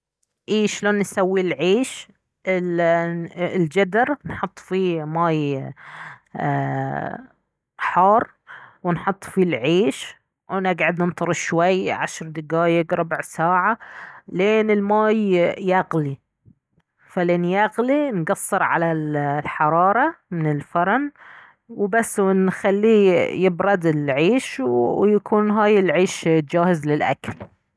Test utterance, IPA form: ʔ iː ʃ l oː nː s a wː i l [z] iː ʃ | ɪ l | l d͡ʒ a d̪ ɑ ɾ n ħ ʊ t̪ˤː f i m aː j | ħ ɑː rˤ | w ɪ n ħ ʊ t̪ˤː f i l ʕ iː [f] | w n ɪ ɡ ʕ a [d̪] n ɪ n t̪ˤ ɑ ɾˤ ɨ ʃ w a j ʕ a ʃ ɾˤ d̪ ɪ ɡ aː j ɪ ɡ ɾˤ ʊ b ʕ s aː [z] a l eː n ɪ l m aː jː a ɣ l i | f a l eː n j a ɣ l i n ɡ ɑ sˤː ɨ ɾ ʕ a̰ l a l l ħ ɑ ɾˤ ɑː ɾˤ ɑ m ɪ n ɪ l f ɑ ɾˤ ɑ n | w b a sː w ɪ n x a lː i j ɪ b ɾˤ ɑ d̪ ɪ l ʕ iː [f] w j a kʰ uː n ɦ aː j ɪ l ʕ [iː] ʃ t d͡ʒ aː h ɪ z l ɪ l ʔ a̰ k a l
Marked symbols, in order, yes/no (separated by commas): no, no, yes, no, no, yes